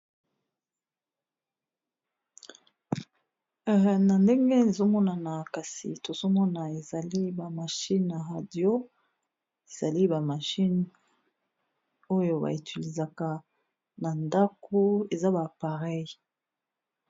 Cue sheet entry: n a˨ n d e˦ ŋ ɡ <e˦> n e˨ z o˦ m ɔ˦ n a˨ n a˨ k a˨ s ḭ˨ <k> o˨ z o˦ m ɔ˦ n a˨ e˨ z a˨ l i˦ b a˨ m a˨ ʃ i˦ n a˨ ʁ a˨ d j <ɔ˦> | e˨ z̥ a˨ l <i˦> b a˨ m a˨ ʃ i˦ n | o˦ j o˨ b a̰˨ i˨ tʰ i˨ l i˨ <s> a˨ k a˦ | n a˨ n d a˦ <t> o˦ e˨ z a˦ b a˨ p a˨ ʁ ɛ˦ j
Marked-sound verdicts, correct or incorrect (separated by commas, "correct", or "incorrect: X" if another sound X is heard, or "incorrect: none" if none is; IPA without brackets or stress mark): correct, incorrect: t, incorrect: o˦, correct, incorrect: z, incorrect: k